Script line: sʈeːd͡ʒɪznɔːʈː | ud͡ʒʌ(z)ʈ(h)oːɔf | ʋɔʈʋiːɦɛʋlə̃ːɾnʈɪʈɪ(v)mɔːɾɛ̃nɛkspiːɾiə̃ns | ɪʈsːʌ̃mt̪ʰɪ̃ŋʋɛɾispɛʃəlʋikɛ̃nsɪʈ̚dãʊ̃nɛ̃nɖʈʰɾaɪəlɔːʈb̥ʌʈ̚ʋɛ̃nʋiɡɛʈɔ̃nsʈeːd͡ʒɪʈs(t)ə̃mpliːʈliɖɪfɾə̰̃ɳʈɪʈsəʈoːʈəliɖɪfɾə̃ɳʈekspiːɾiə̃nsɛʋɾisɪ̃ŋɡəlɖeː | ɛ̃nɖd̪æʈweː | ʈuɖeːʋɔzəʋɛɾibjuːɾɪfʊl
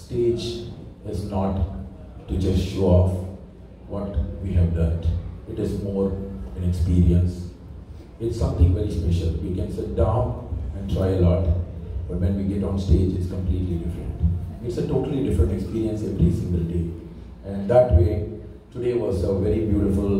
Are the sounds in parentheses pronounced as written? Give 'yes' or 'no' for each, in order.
no, no, no, no

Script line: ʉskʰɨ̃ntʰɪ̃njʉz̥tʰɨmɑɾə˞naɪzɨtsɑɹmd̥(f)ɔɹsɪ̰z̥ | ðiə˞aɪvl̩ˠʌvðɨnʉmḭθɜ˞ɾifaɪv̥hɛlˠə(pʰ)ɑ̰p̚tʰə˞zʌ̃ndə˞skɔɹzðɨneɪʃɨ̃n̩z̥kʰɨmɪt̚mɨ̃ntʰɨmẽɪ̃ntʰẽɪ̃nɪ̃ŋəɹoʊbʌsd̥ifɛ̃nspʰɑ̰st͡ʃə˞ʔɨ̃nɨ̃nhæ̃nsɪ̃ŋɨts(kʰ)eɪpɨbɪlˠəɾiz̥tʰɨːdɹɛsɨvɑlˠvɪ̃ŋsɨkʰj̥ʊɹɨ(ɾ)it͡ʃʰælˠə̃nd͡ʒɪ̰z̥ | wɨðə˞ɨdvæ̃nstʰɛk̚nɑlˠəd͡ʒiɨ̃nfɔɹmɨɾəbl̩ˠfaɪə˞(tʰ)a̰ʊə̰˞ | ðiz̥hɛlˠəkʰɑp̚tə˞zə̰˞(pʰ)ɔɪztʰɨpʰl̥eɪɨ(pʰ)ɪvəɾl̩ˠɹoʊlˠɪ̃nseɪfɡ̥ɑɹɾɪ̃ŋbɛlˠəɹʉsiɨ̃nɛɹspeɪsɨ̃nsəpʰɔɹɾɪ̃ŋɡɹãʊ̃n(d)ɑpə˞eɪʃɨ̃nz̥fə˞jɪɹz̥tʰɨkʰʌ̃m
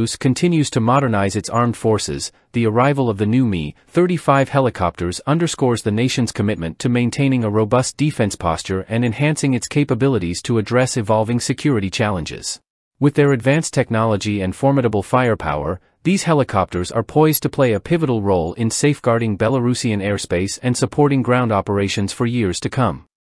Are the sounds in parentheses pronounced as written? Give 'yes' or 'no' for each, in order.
yes, no, yes, yes, no, yes, yes, yes

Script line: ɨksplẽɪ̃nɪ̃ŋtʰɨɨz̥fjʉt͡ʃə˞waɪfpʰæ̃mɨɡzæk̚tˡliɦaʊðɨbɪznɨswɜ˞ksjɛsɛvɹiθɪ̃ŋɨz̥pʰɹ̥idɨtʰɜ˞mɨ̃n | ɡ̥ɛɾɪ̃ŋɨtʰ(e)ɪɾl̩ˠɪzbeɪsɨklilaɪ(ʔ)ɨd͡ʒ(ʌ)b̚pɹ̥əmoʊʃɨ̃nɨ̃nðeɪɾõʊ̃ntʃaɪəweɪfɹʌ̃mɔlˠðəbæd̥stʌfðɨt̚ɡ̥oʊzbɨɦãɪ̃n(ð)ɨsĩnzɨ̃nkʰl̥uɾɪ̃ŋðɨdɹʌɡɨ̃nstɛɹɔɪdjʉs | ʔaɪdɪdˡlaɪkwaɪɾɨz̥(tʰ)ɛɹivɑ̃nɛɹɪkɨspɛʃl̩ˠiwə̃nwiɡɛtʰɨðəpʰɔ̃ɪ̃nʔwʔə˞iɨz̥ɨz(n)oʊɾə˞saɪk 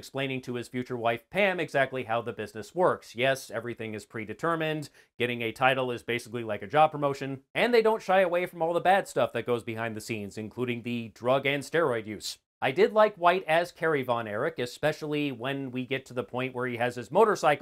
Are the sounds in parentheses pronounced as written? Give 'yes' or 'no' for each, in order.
no, no, no, yes, no, no

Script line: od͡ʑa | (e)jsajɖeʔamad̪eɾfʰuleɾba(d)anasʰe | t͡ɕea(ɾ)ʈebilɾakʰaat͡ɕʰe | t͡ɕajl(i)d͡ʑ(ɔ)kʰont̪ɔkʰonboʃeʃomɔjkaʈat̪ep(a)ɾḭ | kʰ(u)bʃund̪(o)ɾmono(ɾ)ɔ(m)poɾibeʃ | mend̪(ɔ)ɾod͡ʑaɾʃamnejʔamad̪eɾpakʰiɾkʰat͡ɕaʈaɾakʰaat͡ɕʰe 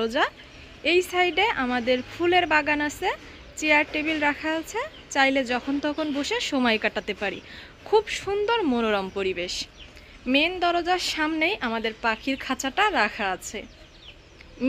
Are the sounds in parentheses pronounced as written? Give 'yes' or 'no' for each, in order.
yes, no, yes, no, yes, yes, yes, yes, yes, yes, yes

